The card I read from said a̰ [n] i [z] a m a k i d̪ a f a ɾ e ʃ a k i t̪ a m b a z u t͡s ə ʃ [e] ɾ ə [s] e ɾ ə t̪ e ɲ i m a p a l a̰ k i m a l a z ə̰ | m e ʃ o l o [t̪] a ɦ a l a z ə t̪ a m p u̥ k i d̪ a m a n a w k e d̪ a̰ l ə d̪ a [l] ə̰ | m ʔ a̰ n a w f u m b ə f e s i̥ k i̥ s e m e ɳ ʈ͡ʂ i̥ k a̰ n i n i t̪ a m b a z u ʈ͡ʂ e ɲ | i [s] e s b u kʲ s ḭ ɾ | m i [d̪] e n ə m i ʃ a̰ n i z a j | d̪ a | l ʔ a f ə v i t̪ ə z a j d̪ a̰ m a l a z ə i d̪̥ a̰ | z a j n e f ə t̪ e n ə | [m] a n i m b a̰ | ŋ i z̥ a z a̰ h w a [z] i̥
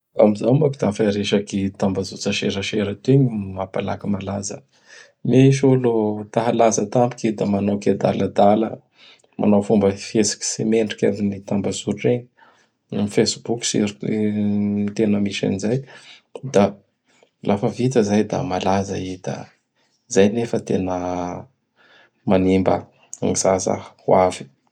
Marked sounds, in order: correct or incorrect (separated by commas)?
incorrect, correct, correct, incorrect, correct, correct, incorrect, incorrect, correct, incorrect